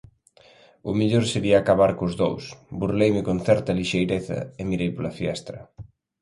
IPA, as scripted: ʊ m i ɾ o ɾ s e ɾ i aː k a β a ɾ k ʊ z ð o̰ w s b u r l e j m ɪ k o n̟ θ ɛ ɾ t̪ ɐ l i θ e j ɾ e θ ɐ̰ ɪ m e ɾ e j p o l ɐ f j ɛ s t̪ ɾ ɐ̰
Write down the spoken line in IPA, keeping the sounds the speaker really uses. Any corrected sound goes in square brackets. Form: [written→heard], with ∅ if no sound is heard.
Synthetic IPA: ʊ m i [ɾ→ʎ] o ɾ s e ɾ i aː k a β a ɾ k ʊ z ð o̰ w s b u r l e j m ɪ k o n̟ θ ɛ ɾ t̪ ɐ l i [θ→ʃ] e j ɾ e θ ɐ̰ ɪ m [e→i] ɾ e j p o l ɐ f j ɛ s t̪ ɾ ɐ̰